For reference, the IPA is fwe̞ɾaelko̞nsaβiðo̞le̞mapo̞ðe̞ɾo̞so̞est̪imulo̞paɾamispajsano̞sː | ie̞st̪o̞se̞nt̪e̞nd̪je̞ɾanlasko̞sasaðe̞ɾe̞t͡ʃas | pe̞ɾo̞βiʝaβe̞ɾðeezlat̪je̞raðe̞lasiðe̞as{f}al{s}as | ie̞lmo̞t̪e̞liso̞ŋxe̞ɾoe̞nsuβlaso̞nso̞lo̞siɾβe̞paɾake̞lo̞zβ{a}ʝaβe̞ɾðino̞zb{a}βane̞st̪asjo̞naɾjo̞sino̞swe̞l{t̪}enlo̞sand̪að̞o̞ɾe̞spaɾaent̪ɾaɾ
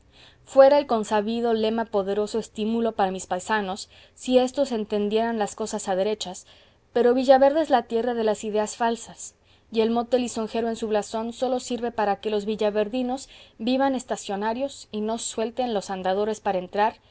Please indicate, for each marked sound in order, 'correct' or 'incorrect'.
correct, correct, incorrect: i, incorrect: i, correct

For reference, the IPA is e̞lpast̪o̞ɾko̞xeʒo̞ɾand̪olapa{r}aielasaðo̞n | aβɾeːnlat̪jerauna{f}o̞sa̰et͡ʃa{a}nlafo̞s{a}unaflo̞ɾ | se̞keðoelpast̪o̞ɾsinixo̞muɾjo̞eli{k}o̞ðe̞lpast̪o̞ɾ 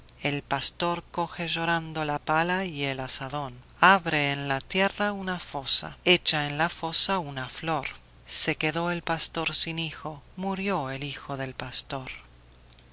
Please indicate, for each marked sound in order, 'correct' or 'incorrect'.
incorrect: l, correct, incorrect: e, correct, incorrect: x

